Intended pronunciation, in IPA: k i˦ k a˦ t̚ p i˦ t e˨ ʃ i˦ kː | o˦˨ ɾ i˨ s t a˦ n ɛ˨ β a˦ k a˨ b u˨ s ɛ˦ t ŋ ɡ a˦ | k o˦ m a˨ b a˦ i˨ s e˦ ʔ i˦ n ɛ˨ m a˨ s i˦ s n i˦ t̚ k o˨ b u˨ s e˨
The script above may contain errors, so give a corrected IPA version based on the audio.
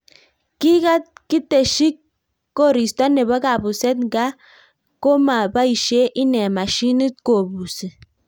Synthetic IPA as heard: k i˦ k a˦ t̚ k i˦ t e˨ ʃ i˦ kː | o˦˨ ɾ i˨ s t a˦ n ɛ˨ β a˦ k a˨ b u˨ s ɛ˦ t ŋ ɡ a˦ | k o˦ m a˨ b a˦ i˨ ʃ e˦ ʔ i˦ n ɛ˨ m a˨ ʃ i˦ n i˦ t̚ k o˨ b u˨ s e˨

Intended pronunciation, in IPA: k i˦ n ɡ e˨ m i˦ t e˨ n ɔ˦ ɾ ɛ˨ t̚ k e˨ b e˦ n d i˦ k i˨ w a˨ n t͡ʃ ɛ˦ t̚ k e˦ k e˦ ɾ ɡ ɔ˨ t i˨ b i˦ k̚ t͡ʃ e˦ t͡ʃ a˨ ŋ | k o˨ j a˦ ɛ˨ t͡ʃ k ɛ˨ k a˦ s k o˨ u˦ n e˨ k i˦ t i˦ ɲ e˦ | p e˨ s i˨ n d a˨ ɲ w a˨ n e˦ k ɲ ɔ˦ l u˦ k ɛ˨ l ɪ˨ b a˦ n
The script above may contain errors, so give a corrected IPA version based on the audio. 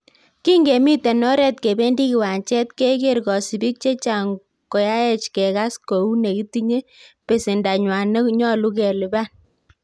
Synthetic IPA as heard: k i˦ ŋ ɡ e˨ m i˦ t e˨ n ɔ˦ ɾ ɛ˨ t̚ k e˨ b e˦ n d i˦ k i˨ w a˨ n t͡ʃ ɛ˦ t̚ k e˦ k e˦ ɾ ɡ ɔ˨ s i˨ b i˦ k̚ t͡ʃ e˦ t͡ʃ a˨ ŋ | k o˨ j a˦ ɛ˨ t͡ʃ k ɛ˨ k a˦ s k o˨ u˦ n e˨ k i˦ t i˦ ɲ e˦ | p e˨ s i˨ n d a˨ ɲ w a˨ n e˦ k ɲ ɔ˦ l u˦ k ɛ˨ l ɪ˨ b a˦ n

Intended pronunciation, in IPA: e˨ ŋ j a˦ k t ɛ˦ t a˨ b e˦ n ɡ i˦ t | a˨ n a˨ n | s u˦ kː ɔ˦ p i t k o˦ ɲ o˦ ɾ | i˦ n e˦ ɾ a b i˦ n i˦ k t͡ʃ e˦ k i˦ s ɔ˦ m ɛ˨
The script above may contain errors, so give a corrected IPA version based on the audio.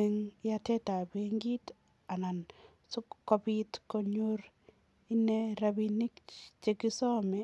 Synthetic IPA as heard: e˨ ŋ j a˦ t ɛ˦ t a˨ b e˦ ŋ ɡ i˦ t | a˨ n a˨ n | s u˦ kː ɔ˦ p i t k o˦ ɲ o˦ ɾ | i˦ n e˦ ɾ a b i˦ n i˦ k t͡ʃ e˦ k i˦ s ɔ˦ m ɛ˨

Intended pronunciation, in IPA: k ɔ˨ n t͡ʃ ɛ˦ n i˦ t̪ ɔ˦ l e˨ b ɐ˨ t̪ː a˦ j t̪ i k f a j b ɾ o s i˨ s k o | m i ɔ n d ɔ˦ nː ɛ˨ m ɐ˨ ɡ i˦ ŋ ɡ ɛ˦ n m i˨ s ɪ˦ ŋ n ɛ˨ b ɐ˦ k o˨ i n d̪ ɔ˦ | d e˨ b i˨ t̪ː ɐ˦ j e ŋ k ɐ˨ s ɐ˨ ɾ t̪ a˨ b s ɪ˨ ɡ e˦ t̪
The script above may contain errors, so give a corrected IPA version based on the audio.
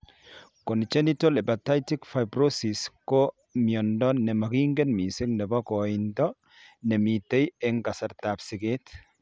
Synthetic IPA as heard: k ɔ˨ n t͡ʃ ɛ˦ n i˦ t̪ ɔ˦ l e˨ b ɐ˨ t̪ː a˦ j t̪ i k f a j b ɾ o s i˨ s k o | m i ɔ n d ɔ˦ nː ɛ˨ m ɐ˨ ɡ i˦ ŋ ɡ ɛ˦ n m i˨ s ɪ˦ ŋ n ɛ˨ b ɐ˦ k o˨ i n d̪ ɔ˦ | n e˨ m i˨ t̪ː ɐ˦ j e ŋ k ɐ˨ s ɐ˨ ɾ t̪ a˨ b s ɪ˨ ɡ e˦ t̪

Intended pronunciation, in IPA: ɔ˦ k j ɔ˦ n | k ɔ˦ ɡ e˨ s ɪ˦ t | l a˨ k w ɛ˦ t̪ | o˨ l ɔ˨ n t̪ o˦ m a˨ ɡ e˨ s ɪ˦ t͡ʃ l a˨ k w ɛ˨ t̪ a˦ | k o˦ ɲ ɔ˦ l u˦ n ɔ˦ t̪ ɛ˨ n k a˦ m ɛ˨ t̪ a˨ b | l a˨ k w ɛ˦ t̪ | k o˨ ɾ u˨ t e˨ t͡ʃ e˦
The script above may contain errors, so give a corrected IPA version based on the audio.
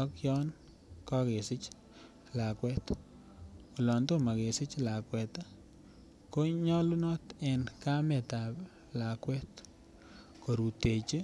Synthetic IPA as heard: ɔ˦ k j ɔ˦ n | k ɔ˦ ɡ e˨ s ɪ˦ t͡ʃ | l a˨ k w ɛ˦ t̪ | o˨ l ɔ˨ n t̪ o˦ m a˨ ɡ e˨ s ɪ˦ t͡ʃ l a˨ k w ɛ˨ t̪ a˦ | k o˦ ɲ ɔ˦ l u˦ n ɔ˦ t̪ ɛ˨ n k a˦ m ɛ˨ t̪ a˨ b | l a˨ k w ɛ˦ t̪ | k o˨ ɾ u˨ t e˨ t͡ʃ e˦

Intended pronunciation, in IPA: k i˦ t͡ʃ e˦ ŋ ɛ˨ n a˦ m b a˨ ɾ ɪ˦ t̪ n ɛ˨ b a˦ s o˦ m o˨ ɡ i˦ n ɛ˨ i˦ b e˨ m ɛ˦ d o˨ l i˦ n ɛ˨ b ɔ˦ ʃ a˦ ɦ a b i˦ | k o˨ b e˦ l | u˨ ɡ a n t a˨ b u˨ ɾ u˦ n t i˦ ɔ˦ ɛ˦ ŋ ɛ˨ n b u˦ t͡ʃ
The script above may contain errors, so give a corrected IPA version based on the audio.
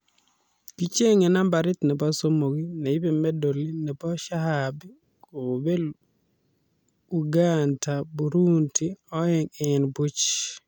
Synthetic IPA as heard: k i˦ t͡ʃ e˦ ŋ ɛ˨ n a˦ m b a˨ ɾ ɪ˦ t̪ n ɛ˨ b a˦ s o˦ m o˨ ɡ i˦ n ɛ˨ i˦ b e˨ m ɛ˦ d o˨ l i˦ n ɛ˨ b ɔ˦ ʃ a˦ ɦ a b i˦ | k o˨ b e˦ l | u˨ ɡ a n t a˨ b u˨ ɾ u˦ n t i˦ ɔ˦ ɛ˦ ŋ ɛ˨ n b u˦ t͡ʃ

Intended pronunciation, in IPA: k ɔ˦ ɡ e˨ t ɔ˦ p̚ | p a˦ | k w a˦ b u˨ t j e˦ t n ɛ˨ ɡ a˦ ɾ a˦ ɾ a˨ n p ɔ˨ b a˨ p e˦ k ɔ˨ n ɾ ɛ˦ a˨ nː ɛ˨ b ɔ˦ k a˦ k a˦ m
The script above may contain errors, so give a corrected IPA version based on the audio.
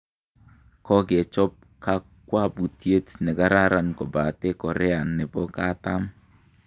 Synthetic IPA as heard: k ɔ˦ ɡ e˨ t͡ʃ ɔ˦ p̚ | k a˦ | k w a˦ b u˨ t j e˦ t n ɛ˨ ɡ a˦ ɾ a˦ ɾ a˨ n k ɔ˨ b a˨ t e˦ k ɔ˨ ɾ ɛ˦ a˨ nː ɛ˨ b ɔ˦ k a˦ t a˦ m

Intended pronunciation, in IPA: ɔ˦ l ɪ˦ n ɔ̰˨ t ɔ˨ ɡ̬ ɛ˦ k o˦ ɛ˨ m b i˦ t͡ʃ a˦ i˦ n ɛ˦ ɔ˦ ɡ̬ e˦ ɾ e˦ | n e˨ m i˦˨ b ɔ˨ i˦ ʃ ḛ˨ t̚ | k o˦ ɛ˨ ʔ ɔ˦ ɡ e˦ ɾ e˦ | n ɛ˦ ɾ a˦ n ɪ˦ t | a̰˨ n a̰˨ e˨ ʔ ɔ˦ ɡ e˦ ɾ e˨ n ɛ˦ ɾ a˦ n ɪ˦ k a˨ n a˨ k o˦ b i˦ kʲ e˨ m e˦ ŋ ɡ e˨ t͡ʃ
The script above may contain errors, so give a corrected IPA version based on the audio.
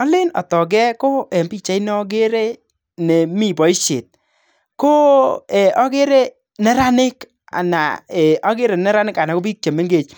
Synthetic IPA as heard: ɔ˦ l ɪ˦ n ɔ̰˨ t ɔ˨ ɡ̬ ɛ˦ k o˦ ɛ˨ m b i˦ t͡ʃ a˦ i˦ n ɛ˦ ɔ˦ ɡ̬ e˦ ɾ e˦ | n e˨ m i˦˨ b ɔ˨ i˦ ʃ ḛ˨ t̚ | k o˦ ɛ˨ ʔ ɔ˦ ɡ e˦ ɾ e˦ | n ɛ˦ ɾ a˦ n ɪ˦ k | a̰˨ n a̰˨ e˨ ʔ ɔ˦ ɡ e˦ ɾ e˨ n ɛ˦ ɾ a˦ n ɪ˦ k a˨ n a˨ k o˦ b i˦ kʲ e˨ m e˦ ŋ ɡ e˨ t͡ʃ

